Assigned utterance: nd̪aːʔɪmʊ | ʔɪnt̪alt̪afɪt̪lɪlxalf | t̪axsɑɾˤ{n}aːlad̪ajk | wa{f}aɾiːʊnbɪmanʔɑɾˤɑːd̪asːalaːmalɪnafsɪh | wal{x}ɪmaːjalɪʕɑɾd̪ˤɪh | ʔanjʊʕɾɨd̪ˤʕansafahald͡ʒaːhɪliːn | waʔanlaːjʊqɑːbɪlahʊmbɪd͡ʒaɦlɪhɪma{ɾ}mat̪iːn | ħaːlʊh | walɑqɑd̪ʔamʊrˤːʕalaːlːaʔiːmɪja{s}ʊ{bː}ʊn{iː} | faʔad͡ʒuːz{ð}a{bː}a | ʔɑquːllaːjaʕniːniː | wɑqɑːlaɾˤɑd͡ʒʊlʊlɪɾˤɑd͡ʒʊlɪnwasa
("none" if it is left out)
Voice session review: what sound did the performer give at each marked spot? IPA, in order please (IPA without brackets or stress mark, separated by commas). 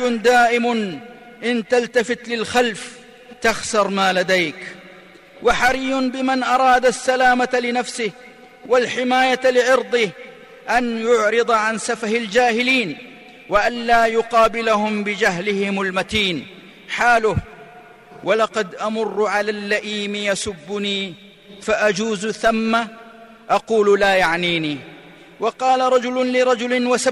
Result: m, ħ, ħ, l, s, bː, iː, θ, mː